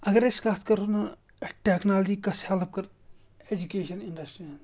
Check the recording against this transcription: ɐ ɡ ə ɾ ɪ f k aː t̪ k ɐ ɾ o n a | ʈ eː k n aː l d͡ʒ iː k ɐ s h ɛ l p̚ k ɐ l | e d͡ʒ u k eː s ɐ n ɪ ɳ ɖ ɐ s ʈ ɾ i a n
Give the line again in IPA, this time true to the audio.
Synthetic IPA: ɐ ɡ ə ɾ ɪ s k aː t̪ k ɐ ɾ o n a | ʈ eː k n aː l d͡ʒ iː k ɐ s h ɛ l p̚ k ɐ ɾ | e d͡ʒ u k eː ʃ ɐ n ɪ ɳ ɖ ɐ s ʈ ɾ i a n